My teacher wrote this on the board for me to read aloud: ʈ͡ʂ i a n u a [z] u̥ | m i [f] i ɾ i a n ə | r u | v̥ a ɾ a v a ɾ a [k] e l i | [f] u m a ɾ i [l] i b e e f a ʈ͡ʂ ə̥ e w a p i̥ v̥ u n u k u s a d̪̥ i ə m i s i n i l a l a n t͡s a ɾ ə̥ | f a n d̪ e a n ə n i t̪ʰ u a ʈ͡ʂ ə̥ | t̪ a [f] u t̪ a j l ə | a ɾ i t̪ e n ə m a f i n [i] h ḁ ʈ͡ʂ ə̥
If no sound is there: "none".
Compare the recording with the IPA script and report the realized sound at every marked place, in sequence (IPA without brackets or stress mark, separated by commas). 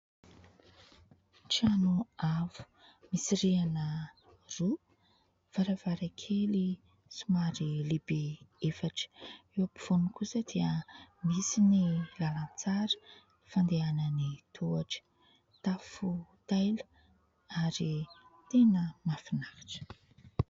v, s, kʰ, s, l, f, a